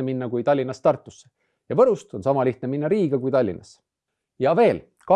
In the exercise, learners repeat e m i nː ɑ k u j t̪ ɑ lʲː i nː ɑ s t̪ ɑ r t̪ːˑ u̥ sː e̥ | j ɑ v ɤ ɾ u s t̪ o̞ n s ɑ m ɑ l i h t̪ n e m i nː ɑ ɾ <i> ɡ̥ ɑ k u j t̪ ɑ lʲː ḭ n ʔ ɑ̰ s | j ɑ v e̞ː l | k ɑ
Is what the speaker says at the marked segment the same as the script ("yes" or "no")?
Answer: no